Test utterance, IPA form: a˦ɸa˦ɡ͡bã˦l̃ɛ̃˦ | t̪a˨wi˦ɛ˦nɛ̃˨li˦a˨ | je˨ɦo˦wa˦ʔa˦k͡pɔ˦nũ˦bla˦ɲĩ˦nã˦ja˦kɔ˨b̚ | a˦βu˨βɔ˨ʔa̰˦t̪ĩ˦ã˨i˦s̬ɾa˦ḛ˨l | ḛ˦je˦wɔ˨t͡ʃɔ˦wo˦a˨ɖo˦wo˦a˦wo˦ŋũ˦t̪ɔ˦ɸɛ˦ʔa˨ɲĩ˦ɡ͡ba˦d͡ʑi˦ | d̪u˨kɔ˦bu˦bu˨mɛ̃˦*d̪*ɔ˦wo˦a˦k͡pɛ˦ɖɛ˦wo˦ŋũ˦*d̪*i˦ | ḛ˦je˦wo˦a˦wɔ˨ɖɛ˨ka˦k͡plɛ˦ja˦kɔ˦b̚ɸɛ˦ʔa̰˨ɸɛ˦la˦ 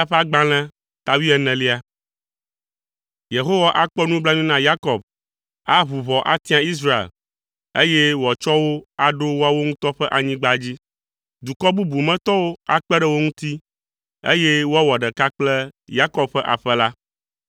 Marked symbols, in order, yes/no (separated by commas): no, no